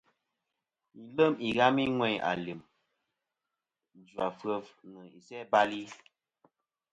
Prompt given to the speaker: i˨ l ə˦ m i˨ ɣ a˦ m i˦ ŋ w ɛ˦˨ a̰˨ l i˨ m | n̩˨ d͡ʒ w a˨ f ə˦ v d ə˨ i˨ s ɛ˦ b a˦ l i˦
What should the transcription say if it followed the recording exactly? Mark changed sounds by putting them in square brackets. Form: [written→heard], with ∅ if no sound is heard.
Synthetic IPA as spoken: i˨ l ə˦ m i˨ ɣ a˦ m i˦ ŋ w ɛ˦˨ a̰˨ l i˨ m | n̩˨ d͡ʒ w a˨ f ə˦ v [d→n] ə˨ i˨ s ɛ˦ b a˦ l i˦